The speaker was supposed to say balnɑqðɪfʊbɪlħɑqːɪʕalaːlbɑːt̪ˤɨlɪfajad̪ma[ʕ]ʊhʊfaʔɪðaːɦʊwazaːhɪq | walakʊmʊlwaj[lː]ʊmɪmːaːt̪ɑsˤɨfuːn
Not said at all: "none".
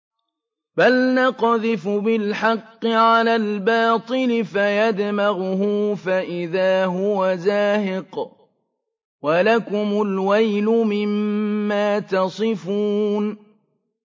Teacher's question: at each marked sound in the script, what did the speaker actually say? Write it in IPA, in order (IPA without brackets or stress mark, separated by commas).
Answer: ɣ, l